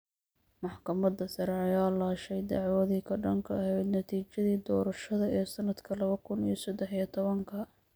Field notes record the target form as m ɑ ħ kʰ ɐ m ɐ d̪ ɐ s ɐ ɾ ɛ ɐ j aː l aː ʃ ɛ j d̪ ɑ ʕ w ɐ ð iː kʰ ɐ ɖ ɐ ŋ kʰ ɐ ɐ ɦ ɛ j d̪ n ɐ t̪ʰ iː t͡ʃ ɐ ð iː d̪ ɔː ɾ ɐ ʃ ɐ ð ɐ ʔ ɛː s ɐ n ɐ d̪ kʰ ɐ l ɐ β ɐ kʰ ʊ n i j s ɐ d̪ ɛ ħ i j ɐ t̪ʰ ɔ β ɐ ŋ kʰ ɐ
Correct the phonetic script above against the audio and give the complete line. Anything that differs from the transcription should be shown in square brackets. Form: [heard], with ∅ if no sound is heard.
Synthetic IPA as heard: m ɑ ħ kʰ ɐ m ɐ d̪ ɐ s ɐ ɾ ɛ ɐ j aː l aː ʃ ɛ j d̪ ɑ ʕ w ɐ ð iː kʰ ɐ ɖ ɐ ŋ kʰ ɐ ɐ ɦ ɛ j d̪ n ɐ t̪ʰ iː t͡ʃ ɐ ð iː d̪ ɔː ɾ ɐ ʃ ɐ ð ɐ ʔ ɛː s ɐ n ɐ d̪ kʰ ɐ l ɐ β ɐ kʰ ʊ n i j s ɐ d̪ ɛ ħ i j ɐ t̪ʰ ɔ β ɐ ŋ kʰ ɐ